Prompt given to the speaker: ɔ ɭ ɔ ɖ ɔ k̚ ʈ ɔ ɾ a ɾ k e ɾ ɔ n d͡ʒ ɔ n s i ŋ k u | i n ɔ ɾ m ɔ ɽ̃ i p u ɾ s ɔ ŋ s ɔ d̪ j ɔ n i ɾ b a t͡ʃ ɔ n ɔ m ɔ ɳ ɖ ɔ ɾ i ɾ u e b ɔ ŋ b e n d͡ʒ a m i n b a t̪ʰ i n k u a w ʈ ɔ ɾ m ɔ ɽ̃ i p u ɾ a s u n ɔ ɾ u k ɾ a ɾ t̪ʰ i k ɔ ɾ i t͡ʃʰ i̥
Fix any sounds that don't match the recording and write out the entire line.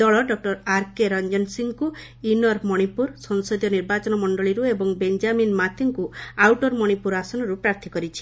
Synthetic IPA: ɔ ɭ ɔ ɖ ɔ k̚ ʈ ɔ ɾ a ɾ k e ɾ ɔ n d͡ʒ ɔ n s i ŋ k u | i n ɔ ɾ m ɔ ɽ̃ i p u ɾ s ɔ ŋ s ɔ d̪ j ɔ n i ɾ b a t͡ʃ ɔ n ɔ m ɔ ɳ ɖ ɔ ɭ i ɾ u e b ɔ ŋ b e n d͡ʒ a m i n m a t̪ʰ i ŋ k u a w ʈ ɔ ɾ m ɔ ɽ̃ i p u ɾ a s ɔ n ɔ ɾ u p ɾ a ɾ t̪ʰ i k ɔ ɾ i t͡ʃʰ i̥